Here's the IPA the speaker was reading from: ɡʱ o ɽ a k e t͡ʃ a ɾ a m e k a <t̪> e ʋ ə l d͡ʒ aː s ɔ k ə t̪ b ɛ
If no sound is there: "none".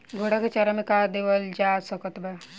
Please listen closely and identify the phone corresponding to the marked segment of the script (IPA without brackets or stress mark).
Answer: d̪